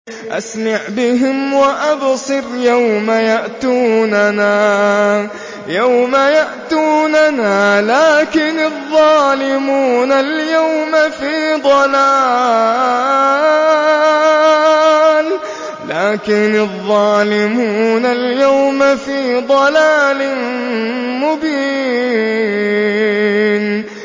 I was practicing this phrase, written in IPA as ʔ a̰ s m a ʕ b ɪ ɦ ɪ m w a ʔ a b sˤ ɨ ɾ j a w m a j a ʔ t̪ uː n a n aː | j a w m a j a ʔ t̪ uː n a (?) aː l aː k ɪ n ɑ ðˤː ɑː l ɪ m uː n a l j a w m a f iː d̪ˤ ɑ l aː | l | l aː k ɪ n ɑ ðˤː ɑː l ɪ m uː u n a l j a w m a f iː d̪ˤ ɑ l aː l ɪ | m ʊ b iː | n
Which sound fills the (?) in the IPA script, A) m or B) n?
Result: B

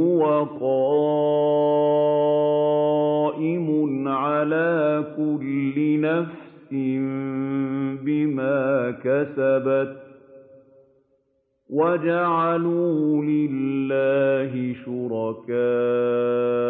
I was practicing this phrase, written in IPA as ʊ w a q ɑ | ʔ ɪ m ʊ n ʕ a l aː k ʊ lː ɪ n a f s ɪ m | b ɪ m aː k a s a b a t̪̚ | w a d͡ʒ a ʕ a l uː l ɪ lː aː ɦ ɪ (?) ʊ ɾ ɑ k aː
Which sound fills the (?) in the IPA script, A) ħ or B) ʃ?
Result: B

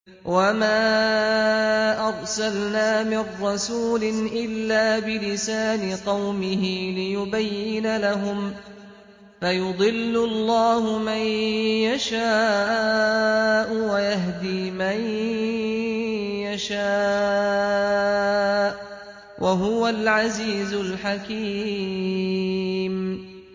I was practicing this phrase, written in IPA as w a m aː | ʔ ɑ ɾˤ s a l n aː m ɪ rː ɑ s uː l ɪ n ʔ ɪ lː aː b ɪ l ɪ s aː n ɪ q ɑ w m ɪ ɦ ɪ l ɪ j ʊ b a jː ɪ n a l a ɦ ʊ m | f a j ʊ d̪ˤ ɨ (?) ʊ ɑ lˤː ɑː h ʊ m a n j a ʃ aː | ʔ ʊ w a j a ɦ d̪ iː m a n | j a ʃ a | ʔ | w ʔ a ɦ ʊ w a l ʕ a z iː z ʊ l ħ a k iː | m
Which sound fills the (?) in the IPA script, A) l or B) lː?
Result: B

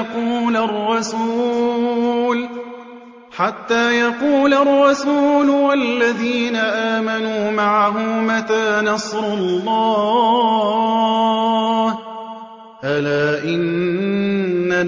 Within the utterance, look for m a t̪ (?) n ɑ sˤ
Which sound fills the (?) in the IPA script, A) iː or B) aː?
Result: B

